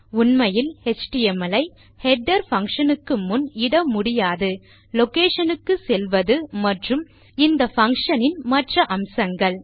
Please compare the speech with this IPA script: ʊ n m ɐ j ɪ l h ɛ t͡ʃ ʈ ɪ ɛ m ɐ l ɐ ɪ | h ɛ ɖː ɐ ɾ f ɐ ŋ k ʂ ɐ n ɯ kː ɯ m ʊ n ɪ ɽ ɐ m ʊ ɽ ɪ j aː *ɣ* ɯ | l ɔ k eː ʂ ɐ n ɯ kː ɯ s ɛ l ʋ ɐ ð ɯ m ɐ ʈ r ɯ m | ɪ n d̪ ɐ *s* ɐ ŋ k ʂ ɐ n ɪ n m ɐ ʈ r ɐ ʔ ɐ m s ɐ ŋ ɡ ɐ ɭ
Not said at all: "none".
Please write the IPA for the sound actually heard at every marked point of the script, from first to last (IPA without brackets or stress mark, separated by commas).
ð, f